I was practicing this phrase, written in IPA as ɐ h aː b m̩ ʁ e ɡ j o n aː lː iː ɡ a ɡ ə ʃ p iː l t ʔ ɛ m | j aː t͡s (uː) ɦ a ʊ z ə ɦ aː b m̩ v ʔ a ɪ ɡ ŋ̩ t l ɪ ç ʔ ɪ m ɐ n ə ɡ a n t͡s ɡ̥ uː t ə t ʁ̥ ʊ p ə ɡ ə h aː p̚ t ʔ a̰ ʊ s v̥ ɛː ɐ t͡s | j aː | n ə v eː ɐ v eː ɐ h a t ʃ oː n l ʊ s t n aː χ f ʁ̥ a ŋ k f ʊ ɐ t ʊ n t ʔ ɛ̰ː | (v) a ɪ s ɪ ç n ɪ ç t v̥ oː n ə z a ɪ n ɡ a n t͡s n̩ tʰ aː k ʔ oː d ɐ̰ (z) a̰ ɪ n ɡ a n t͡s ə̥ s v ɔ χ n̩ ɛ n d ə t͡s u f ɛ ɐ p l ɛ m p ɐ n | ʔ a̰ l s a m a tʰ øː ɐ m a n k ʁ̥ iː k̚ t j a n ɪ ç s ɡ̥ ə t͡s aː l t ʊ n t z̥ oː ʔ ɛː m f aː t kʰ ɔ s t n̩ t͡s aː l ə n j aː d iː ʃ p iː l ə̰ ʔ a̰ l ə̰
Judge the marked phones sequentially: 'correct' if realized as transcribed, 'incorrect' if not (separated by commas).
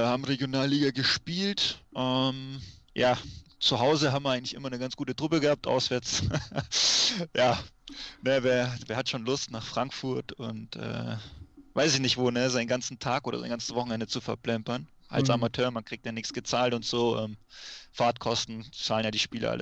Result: incorrect, correct, correct